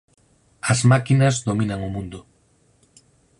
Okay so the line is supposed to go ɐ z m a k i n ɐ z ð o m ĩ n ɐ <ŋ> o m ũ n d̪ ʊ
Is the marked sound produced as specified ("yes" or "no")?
yes